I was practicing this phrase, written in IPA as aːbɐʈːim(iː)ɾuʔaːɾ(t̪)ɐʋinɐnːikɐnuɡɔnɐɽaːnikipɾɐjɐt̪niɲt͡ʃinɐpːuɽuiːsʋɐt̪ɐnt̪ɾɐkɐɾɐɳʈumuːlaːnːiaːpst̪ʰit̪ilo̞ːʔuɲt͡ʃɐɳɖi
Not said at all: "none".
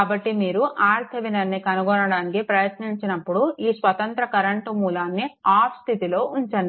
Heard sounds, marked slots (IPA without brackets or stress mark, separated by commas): iː, t̪ʰ